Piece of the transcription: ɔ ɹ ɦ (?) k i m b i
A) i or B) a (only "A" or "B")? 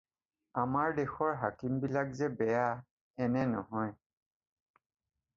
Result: B